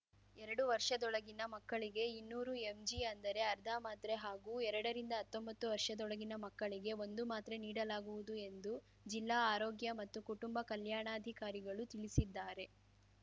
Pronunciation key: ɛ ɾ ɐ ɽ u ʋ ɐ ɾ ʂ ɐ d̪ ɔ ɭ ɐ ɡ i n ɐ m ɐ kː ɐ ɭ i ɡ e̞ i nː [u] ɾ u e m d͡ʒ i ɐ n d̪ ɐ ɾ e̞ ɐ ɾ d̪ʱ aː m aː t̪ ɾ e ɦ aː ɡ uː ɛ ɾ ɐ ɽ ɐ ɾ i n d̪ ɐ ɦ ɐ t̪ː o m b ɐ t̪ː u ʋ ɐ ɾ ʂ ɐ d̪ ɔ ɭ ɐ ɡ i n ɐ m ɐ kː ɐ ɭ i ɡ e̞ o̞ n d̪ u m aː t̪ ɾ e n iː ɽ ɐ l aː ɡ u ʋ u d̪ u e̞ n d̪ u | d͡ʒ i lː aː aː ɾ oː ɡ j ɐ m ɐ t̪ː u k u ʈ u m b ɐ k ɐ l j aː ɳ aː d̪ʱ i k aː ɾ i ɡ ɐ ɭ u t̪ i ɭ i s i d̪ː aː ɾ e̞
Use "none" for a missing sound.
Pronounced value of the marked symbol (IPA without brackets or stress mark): uː